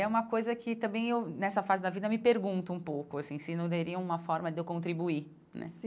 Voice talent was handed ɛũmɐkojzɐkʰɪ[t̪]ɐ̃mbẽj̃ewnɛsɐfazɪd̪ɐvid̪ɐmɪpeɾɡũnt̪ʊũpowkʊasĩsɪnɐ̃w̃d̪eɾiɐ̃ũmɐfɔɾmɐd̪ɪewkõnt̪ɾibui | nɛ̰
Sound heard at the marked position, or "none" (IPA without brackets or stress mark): t̪